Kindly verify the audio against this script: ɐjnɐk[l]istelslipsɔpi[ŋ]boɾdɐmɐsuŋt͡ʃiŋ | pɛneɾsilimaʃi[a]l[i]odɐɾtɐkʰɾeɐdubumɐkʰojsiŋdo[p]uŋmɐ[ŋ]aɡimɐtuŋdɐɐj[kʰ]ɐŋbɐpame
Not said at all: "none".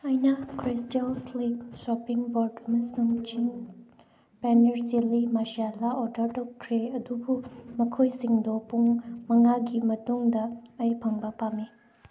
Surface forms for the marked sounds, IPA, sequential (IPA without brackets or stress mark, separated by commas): ɾ, ŋ, a, a, p, ŋ, pʰ